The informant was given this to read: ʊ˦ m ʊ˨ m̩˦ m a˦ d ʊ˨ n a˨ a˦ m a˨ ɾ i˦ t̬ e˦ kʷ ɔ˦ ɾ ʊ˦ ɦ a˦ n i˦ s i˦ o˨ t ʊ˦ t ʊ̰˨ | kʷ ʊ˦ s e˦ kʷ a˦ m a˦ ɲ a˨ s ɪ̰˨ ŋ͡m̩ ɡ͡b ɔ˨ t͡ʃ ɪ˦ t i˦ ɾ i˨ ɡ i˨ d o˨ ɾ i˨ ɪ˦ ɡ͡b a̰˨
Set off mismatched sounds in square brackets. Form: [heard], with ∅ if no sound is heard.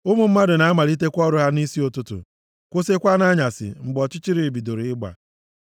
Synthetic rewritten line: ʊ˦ m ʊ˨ m̩˦ m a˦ d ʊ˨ n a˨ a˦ m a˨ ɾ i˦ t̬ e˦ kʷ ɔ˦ ɾ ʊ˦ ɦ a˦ n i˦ s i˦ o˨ t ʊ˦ t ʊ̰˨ | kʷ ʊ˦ s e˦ kʷ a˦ [n] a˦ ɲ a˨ s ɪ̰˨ ŋ͡m̩ ɡ͡b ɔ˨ t͡ʃ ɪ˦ [t͡ʃ] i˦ ɾ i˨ [b] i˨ d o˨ ɾ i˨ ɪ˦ ɡ͡b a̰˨